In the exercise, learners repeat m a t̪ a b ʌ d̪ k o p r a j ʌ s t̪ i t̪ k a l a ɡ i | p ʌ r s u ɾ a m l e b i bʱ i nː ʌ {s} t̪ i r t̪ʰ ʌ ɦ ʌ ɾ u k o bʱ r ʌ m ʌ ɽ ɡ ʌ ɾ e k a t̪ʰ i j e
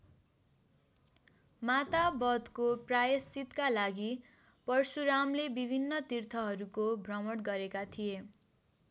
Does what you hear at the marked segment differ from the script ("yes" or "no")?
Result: yes